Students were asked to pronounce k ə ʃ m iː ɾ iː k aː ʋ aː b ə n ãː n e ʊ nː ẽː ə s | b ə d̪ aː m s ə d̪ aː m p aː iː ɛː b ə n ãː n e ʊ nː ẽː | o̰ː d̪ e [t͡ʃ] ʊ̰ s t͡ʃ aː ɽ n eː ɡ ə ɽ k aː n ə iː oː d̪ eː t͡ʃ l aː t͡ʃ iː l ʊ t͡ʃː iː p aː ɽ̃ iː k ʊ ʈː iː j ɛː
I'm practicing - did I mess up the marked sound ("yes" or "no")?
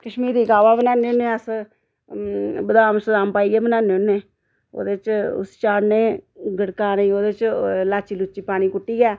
no